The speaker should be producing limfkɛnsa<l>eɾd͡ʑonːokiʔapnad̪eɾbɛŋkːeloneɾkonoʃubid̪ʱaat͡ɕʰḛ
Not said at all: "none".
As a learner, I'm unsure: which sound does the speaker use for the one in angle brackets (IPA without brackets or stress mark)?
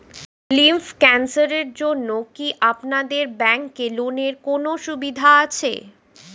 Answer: ɾ